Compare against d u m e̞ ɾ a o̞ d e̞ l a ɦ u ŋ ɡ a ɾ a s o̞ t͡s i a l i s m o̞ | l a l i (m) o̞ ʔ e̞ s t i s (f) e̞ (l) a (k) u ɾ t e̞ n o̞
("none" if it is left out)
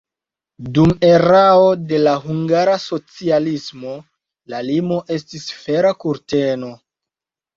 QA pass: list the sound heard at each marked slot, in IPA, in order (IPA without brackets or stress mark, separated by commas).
m, f, ɾ, k